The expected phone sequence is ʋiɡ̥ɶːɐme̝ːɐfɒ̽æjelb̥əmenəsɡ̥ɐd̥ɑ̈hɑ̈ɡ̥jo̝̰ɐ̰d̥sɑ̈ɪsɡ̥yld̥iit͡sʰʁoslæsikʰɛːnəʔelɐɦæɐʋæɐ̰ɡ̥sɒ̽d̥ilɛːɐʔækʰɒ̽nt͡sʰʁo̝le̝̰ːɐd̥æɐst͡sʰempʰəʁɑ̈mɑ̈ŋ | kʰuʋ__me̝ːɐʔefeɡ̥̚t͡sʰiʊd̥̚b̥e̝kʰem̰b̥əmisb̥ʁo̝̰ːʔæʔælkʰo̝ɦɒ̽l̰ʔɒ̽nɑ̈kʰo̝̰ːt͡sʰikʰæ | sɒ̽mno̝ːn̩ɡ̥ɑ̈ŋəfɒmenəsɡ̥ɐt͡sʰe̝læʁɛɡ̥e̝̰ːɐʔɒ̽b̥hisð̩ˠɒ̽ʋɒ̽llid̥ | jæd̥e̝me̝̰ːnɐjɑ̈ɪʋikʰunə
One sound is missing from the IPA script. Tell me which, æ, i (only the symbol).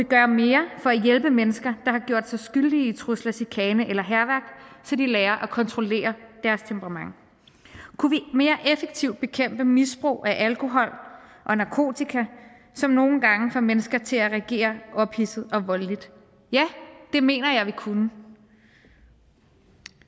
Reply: i